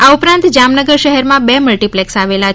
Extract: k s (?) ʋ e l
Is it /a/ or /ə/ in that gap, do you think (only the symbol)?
a